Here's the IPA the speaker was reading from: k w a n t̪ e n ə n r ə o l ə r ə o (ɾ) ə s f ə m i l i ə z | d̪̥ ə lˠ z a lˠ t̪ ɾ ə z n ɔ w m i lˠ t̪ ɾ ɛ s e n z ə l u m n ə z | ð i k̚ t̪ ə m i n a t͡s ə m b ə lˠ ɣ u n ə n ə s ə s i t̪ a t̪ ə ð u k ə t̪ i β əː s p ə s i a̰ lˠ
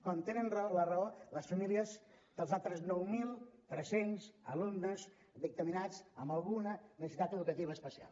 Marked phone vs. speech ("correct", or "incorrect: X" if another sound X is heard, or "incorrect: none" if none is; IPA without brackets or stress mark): incorrect: l